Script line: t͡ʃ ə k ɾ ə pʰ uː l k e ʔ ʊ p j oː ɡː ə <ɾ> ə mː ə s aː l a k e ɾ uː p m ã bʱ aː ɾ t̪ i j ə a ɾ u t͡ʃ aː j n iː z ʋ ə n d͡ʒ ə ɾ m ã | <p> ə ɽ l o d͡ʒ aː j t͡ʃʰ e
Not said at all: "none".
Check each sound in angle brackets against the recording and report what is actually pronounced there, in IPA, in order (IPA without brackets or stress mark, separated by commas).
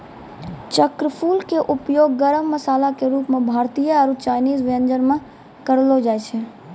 ɾ, k